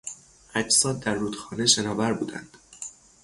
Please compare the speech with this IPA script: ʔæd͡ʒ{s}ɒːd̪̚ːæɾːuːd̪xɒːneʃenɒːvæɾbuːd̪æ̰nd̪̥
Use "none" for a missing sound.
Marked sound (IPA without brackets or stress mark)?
s